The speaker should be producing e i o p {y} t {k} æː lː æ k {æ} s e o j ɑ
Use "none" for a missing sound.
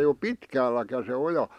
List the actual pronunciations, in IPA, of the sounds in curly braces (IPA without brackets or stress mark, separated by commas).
i, k, æ